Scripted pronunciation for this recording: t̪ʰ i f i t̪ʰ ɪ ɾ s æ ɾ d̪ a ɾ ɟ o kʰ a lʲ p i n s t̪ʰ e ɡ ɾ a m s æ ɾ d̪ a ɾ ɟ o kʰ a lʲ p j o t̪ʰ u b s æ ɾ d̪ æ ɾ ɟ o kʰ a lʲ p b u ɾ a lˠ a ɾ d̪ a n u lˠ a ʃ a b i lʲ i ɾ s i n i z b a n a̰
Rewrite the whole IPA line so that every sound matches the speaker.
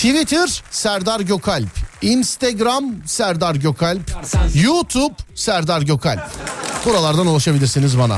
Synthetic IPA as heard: t̪ʰ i v i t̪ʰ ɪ ɾ s æ ɾ d̪ a ɾ ɟ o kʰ a lʲ p i n s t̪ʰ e ɡ ɾ a m s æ ɾ d̪ a ɾ ɟ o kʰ a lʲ p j u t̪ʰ u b s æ ɾ d̪ a ɾ ɟ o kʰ a lʲ p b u ɾ a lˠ a ɾ d̪ a n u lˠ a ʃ a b i lʲ i ɾ s i n i z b a n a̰